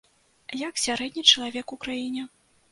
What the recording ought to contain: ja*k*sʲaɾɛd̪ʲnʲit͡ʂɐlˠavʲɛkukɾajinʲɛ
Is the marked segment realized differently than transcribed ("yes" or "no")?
no